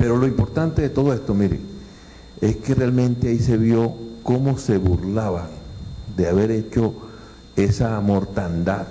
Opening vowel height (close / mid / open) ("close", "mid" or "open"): mid